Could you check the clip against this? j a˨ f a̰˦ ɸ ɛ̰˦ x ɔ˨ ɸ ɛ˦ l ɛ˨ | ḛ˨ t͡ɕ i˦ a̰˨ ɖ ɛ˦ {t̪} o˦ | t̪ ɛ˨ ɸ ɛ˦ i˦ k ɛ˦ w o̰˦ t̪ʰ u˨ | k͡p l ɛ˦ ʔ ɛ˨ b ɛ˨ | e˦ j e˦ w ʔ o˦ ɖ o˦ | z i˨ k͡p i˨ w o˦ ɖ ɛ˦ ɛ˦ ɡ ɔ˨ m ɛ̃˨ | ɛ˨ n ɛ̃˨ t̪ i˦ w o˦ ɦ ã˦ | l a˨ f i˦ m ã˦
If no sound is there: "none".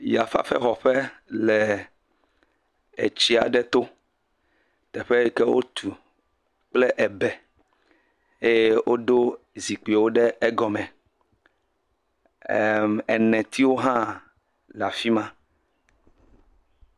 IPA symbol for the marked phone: t̪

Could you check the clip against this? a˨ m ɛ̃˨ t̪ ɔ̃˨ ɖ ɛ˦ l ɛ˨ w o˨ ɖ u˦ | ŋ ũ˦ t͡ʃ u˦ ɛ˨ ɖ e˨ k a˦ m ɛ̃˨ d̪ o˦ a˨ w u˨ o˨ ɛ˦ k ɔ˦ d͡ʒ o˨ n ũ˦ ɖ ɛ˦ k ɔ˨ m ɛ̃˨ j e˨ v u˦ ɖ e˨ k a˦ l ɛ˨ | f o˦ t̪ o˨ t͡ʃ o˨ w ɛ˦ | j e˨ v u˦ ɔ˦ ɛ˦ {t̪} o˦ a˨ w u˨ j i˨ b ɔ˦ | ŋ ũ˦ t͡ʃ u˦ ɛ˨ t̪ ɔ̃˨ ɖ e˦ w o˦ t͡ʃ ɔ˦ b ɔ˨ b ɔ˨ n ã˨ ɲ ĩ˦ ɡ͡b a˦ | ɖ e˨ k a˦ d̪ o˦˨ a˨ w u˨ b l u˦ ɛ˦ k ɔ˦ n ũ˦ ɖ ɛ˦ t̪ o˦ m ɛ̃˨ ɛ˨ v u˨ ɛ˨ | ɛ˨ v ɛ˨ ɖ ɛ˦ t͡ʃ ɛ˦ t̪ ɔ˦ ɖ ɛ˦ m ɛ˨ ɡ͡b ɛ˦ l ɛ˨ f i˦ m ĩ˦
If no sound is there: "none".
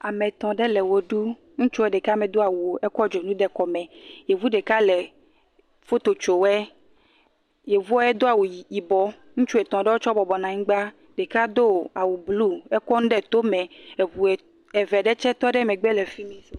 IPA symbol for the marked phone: d̪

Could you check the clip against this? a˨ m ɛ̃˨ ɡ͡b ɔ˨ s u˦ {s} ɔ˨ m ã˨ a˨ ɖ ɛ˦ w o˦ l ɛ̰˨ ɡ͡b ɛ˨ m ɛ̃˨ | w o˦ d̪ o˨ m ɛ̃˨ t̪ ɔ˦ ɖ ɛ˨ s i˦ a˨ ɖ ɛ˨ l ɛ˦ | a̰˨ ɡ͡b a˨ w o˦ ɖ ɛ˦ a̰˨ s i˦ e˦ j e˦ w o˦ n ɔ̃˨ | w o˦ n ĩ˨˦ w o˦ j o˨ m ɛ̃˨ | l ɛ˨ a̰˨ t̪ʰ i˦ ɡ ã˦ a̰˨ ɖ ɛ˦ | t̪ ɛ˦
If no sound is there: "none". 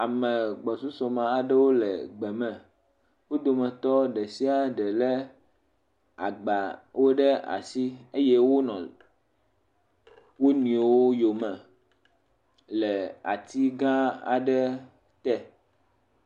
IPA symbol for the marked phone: s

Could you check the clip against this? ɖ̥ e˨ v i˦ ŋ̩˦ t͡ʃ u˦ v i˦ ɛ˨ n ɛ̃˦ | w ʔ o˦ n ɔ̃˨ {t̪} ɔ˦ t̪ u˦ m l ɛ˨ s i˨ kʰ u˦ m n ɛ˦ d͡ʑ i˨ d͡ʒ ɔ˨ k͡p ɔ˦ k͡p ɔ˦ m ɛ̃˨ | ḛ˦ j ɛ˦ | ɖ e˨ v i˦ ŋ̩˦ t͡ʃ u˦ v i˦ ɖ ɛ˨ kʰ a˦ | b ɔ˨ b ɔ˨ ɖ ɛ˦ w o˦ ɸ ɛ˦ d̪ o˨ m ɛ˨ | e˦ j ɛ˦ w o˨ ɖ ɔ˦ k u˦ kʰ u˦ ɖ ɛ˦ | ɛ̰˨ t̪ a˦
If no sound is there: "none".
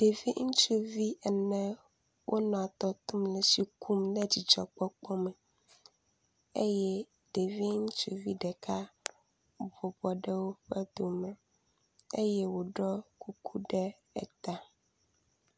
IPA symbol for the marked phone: t̪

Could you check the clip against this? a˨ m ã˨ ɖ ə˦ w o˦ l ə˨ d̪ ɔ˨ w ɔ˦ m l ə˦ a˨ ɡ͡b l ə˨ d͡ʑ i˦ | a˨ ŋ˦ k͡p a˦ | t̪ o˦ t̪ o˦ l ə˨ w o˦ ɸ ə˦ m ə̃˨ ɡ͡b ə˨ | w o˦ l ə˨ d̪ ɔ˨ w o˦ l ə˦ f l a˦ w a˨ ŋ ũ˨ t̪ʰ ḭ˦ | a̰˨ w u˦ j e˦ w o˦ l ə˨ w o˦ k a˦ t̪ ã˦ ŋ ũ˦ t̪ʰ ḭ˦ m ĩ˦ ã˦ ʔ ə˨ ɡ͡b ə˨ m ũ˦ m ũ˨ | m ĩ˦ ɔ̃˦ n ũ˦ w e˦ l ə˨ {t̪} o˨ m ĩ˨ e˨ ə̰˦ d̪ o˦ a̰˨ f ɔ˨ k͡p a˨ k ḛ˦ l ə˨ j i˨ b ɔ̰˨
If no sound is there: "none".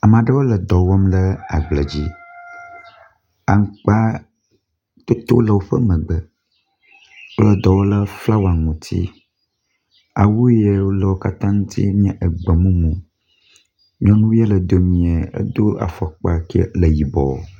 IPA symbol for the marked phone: d̪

